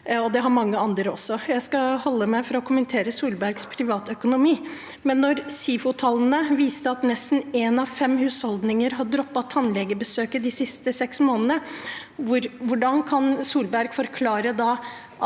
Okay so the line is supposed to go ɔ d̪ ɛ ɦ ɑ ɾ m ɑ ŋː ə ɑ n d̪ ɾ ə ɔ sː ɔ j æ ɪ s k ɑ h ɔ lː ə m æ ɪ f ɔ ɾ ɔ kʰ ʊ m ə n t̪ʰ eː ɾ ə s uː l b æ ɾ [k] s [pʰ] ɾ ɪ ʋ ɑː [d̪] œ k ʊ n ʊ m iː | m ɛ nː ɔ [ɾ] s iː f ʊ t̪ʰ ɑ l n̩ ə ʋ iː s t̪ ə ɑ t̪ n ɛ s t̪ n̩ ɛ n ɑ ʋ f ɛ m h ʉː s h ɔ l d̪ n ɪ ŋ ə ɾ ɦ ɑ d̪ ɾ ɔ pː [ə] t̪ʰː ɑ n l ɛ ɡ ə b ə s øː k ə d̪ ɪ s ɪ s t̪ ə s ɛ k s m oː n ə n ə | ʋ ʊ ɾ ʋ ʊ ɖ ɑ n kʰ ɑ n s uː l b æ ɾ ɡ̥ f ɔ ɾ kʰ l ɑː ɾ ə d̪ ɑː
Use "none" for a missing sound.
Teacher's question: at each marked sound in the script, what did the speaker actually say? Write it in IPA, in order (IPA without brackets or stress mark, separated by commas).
ɡ, pʰ, t̪, ɾ, ɑ